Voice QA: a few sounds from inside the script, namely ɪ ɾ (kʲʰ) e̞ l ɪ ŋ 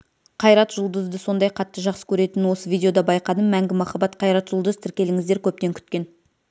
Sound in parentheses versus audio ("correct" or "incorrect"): incorrect